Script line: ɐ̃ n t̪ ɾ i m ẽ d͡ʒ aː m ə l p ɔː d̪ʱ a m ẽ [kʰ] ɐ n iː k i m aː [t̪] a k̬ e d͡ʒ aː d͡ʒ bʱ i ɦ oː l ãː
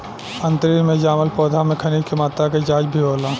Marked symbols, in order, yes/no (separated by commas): yes, yes